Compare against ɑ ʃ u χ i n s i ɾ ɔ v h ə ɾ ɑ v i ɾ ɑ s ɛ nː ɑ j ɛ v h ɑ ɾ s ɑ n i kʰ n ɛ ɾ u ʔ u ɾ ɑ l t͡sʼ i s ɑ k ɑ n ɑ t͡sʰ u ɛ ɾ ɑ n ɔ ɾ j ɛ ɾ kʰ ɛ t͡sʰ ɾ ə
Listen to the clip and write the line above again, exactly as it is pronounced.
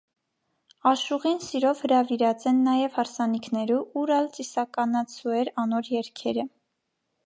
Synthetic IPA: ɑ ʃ u ʁ i n s i ɾ ɔ v h ə ɾ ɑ v i ɾ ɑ t͡s ɛ nː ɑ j ɛ v h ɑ ɾ s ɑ n i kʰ n ɛ ɾ u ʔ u ɾ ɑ l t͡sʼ i s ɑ k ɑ n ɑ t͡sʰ u ɛ ɾ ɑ n ɔ ɾ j ɛ ɾ kʰ ɛ ɾ ə